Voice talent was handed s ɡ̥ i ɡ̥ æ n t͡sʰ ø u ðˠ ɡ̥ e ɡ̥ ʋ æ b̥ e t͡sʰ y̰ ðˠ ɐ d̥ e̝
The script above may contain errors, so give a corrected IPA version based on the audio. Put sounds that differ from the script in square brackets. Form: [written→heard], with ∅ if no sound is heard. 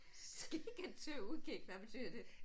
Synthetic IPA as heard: s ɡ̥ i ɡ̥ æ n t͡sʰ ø u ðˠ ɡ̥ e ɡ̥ ʋ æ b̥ e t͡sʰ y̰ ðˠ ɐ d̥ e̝